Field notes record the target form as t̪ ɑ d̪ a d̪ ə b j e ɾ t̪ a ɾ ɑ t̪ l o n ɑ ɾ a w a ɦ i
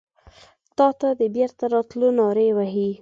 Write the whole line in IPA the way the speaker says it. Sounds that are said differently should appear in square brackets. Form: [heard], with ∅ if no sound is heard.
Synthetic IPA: t̪ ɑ [t̪] a d̪ ə b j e ɾ t̪ a ɾ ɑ t̪ l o n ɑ ɾ [e] w a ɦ i